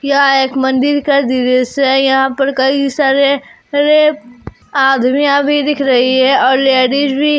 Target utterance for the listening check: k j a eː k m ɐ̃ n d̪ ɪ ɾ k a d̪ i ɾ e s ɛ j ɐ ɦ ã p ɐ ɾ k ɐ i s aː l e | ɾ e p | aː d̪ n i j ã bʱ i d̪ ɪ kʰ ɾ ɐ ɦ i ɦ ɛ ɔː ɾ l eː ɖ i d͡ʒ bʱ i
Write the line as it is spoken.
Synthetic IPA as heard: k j a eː k m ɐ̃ n d̪ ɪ ɾ k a d̪ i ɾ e s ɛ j ɐ ɦ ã p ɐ ɾ k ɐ i s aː ɾ e | ɾ e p | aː d̪ m i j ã bʱ i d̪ ɪ kʰ ɾ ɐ ɦ i ɦ ɛ ɔː ɾ l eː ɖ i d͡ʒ bʱ i

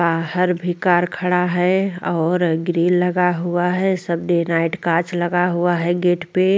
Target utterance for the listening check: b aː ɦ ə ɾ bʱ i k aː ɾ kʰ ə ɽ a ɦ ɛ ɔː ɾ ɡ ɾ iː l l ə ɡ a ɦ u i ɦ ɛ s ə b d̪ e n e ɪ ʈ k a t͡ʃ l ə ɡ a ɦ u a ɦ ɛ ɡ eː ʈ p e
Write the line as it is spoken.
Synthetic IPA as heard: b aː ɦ ə ɾ bʱ i k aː ɾ kʰ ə ɽ a ɦ ɛ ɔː ɾ ɡ ɾ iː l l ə ɡ a ɦ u a ɦ ɛ s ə b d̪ e n a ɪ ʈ k a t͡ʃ l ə ɡ a ɦ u a ɦ ɛ ɡ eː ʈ p e

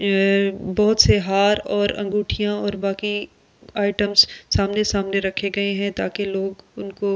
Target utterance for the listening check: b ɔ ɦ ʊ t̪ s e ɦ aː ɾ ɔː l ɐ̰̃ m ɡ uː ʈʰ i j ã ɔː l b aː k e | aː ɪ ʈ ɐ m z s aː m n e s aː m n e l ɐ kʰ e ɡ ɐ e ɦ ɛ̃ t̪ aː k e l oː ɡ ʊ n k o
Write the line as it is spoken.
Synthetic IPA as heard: b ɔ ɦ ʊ t̪ s e ɦ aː ɾ ɔː ɾ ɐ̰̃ ŋ ɡ uː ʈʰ i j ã ɔː ɾ b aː k i | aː ɪ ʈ ə m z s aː m n e s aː m n e ɾ ɐ kʰ e ɡ ɐ e ɦ ɛ̃ t̪ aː k e l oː ɡ ʊ n k o

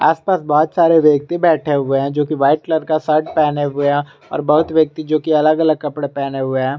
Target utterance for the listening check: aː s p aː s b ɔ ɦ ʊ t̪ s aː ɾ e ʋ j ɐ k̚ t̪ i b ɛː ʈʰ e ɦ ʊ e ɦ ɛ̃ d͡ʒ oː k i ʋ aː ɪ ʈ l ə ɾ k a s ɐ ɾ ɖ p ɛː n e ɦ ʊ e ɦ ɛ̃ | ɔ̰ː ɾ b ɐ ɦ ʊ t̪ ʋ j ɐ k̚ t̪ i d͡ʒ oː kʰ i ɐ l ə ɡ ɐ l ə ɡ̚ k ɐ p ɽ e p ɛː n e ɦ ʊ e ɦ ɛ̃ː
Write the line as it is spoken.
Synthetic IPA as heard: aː s p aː s b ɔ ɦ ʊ t̪ s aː ɾ e ʋ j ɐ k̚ t̪ i b ɛː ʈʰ e ɦ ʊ e ɦ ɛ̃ d͡ʒ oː k i ʋ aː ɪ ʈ l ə ɾ k a s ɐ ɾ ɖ p ɛː n e ɦ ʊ e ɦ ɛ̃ | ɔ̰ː ɾ b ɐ ɦ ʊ t̪ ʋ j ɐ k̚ t̪ i d͡ʒ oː k i ɐ l ə ɡ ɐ l ə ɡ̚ k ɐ p ɽ e p ɛː n e ɦ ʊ e ɦ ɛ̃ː

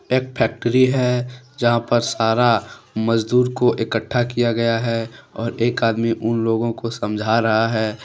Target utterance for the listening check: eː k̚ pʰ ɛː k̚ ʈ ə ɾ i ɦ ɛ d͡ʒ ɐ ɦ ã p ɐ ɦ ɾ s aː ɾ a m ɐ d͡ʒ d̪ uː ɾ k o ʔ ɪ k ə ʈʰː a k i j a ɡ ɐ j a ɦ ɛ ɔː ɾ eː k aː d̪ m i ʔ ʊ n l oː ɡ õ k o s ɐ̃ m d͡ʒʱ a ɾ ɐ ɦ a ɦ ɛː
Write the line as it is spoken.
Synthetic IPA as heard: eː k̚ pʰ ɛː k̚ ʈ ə ɾ i ɦ ɛ d͡ʒ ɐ ɦ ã p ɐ ɾ s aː ɾ a m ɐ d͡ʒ d̪ uː ɾ k o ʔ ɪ k ə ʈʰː a k i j a ɡ ɐ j a ɦ ɛ ɔː ɾ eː k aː d̪ m i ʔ ʊ n l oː ɡ õ k o s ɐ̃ m d͡ʒʱ a ɾ ɐ ɦ a ɦ ɛː

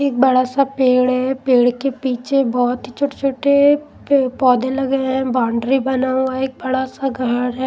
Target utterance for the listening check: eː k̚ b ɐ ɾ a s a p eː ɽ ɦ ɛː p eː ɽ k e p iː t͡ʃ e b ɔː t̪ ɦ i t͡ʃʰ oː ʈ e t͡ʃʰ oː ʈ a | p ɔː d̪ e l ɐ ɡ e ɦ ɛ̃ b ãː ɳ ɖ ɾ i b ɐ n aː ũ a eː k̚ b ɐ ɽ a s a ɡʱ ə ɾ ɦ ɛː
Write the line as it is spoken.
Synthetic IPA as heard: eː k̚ b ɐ ɽ a s a p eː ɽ ɦ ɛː p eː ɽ k e p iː t͡ʃ e b ɔː t̪ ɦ i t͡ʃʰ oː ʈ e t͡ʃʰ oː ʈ e | p ɔː d̪ e l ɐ ɡ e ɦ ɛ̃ b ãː ɳ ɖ ɾ i b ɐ n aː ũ a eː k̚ b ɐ ɽ a s a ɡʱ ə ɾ ɦ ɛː

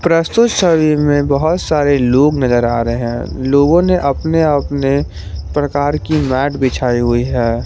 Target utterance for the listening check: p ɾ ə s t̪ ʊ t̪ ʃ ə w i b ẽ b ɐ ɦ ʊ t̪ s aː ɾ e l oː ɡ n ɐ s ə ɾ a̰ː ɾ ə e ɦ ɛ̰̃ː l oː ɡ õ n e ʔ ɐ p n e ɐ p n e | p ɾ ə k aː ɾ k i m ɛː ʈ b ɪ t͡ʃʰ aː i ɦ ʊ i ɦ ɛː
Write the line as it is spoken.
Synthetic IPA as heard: p ɾ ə s t̪ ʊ t̪ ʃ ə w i m ẽ b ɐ ɦ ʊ t̪ s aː ɾ e l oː ɡ n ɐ z ə ɾ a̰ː ɾ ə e ɦ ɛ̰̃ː l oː ɡ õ n e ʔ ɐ p n e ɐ p n e | p ɾ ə k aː ɾ k i m ɛː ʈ b ɪ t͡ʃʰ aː i ɦ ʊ i ɦ ɛː

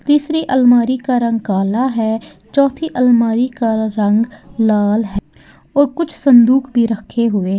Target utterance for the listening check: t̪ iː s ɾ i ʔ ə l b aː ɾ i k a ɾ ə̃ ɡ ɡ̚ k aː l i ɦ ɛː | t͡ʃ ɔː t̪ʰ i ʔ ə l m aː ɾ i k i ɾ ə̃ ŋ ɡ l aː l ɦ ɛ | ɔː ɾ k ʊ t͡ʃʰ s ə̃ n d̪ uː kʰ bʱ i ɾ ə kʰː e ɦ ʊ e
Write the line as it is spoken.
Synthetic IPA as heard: t̪ iː s ɾ i ʔ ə l m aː ɾ i k a ɾ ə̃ ŋ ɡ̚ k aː l a ɦ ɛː | t͡ʃ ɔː t̪ʰ i ʔ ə l m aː ɾ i k a ɾ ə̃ ŋ ɡ l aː l ɦ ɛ | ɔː ɾ k ʊ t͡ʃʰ s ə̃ n d̪ uː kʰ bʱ i ɾ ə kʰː e ɦ ʊ e

